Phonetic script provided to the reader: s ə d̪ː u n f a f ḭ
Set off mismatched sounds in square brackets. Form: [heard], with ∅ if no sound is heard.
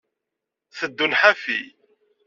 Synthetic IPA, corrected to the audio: [θ] ə d̪ː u n [ħ] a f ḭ